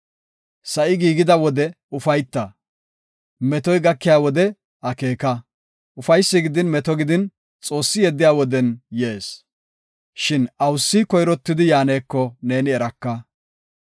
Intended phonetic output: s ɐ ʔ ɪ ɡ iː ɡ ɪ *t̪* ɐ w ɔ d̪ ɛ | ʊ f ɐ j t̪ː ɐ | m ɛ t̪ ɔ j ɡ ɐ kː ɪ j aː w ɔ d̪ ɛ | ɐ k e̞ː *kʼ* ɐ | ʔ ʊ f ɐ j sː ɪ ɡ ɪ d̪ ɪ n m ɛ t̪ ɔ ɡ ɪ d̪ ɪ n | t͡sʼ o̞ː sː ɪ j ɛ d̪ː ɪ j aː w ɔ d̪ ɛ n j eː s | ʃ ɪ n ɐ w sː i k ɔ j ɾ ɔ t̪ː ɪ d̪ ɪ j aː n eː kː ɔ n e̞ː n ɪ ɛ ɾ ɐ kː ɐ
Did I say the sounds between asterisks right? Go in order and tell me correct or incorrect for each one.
incorrect, incorrect

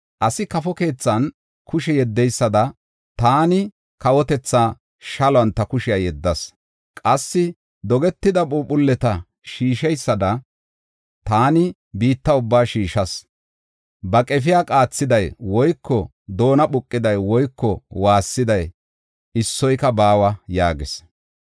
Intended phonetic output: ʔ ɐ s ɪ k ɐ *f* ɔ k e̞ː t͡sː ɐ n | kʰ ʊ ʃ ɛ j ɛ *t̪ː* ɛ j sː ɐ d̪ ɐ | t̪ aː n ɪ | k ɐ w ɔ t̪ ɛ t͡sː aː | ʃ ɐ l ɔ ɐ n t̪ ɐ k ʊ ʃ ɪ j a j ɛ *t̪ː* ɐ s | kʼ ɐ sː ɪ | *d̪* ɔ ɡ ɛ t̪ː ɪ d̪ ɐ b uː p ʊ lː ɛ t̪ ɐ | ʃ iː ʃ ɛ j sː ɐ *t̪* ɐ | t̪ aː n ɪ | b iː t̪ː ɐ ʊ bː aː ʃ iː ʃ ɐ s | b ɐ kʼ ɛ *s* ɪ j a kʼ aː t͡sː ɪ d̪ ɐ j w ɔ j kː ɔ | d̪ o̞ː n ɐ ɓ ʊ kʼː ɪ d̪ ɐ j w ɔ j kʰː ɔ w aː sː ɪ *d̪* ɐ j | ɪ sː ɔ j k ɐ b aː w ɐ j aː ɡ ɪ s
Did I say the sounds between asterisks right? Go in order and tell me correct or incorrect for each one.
correct, incorrect, incorrect, correct, incorrect, incorrect, correct

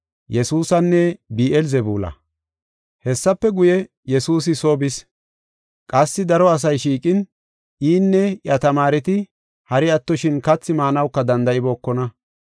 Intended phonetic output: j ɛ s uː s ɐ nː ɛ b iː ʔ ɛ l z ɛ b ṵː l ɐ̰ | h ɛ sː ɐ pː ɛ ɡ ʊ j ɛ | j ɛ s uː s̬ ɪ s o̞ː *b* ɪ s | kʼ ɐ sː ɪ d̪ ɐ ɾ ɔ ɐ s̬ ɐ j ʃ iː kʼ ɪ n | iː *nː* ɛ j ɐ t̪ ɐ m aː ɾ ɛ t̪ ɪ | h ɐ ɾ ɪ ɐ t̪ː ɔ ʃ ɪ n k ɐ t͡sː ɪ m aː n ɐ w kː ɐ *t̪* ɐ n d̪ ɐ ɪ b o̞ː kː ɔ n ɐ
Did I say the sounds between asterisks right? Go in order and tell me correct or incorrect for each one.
correct, correct, incorrect

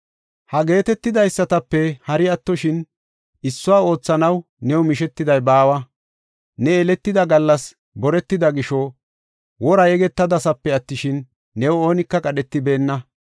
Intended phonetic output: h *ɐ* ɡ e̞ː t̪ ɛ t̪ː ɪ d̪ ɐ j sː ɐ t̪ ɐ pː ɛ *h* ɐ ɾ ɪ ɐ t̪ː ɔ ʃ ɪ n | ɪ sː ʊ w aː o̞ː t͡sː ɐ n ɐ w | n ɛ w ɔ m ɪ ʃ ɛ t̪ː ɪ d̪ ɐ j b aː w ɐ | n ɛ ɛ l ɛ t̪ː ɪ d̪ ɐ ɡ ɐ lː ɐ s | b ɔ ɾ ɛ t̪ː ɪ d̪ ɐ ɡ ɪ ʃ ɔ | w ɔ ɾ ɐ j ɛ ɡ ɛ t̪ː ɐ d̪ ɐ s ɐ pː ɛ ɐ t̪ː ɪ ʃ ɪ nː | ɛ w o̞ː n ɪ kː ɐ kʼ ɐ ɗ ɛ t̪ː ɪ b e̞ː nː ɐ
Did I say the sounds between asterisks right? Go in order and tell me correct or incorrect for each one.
correct, correct

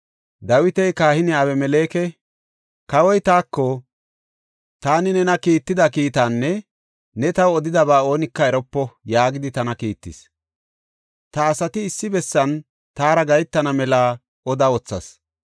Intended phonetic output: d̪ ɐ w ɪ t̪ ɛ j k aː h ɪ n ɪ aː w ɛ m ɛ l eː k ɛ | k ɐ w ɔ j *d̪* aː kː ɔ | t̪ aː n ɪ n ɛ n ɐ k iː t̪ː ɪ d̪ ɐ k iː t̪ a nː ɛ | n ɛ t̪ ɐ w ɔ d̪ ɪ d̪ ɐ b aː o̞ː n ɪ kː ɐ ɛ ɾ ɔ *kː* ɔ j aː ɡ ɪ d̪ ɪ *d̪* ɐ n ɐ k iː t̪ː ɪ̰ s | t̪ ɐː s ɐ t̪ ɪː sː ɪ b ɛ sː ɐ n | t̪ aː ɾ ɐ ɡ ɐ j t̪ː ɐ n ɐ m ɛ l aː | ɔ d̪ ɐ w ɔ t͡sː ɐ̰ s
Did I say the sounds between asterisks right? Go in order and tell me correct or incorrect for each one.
incorrect, incorrect, incorrect

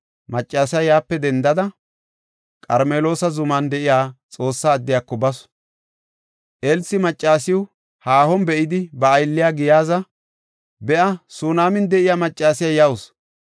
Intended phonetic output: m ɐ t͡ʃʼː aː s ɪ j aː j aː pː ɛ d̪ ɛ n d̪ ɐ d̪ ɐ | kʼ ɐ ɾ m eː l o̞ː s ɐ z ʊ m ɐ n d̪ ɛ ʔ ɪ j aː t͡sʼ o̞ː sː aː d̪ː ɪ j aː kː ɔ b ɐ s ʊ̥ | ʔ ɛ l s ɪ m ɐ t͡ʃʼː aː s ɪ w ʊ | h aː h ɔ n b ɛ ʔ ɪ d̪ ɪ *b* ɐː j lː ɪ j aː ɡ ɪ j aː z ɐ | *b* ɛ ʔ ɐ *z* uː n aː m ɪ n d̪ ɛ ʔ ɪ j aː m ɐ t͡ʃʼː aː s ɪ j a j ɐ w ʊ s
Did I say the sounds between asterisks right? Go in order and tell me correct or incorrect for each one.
correct, correct, incorrect

